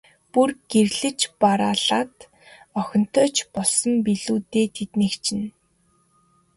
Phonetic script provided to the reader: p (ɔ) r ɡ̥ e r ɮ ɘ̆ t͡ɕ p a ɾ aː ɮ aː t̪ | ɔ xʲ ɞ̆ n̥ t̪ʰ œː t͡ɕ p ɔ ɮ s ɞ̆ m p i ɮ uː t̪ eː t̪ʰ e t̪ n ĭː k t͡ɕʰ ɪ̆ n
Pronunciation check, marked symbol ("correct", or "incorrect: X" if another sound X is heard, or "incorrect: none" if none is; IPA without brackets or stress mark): incorrect: u